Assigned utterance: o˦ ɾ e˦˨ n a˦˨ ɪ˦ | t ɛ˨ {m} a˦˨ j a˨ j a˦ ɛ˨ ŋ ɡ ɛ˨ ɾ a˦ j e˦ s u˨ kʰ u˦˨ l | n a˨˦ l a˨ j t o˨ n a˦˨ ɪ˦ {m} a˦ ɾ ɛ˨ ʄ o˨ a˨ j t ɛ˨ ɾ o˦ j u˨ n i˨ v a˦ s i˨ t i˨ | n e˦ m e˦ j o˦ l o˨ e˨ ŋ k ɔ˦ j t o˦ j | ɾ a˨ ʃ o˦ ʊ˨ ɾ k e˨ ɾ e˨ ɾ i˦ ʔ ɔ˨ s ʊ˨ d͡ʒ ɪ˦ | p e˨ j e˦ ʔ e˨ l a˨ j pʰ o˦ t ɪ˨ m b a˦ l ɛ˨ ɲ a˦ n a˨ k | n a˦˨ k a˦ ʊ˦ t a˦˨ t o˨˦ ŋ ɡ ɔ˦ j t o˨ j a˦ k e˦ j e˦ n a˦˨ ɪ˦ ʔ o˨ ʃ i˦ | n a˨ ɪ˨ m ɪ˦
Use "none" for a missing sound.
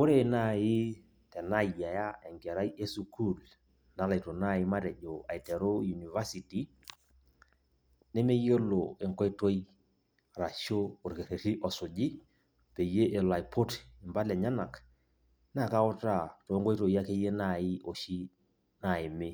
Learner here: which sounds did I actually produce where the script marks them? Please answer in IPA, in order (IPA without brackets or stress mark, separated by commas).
n, m